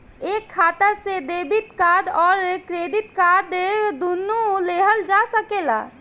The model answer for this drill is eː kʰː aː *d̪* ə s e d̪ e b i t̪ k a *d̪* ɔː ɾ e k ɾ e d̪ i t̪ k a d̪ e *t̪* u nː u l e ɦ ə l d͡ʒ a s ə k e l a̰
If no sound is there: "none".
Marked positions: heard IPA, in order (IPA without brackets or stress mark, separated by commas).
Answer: t̪, d̪, d̪